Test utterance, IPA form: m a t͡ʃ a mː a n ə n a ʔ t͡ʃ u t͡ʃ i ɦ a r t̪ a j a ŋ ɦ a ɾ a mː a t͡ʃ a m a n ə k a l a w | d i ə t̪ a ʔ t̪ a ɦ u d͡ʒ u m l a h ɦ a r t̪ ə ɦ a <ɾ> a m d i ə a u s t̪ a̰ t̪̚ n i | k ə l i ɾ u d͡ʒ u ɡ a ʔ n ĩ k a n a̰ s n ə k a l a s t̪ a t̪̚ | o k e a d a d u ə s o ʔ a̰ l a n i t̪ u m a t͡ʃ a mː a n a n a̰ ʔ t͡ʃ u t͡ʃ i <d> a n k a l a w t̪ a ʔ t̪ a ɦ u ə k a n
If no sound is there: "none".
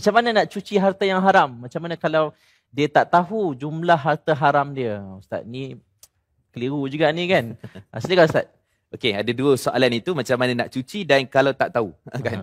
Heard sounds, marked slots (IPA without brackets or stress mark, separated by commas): ɾ, d